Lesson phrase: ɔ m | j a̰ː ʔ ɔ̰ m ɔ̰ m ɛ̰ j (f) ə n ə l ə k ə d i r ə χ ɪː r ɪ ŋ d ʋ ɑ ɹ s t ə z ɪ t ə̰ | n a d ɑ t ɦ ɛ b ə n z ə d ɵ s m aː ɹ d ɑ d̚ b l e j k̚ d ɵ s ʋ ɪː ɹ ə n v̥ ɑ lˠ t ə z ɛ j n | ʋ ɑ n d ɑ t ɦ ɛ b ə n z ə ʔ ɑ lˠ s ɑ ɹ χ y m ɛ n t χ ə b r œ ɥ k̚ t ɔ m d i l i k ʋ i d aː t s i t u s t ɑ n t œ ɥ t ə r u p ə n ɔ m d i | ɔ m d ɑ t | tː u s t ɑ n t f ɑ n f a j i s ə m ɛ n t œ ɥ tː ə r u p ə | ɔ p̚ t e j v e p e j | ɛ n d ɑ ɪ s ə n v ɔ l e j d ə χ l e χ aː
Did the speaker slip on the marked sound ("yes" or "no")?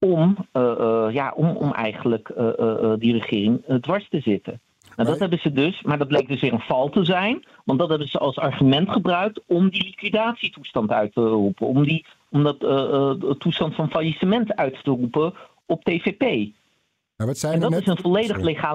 yes